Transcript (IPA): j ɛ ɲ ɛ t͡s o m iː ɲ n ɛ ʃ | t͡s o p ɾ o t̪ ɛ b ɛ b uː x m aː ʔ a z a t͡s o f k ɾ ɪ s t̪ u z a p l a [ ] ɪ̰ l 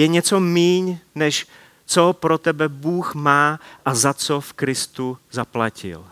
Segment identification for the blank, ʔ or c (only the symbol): c